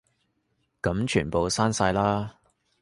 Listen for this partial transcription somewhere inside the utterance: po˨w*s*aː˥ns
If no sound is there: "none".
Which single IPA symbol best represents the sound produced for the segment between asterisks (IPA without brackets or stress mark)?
s